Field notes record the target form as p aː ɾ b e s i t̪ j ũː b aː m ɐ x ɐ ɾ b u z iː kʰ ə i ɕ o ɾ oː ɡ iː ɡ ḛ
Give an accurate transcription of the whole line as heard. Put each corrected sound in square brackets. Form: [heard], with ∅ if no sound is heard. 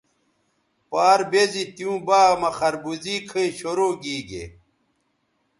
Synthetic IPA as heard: p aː ɾ b e [z] i t̪ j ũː b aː m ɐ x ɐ ɾ b u z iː kʰ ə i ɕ o ɾ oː ɡ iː ɡ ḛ